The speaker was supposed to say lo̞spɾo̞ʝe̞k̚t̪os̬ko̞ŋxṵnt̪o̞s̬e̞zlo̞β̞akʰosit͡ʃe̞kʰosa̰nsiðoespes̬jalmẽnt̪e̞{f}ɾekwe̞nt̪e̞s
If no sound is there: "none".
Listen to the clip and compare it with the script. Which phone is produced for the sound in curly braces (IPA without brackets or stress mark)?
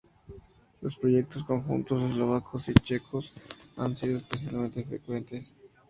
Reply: f